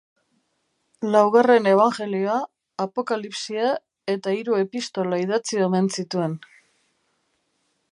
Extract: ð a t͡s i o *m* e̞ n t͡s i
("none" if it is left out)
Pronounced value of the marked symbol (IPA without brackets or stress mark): m